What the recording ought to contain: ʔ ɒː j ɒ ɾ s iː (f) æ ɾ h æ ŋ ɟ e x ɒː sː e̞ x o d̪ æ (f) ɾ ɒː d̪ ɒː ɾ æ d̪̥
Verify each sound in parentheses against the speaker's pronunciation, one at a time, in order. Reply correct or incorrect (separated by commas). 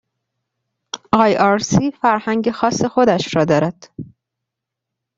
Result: correct, incorrect